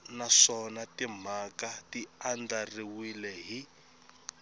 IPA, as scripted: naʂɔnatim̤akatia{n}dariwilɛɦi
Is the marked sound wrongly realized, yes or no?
no